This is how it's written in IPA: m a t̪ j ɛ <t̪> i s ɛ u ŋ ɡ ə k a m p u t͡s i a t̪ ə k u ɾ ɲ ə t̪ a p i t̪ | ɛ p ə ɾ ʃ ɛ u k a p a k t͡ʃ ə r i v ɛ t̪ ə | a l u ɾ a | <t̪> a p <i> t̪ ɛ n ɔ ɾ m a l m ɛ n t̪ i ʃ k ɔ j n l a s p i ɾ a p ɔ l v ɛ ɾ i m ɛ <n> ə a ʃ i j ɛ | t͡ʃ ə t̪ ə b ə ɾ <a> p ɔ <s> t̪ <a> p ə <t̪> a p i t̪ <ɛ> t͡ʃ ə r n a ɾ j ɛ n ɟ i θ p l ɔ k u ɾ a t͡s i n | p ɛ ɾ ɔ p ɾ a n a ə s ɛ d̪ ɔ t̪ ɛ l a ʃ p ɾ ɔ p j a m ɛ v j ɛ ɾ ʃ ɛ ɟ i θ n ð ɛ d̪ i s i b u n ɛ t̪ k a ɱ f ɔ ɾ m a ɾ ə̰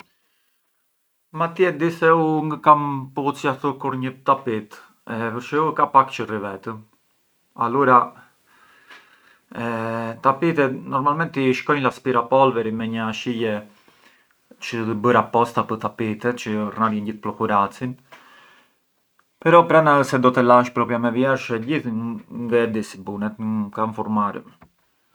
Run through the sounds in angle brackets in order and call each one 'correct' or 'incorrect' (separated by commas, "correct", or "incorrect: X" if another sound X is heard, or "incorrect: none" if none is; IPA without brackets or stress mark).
incorrect: d̪, correct, correct, incorrect: ɲ, correct, correct, correct, correct, correct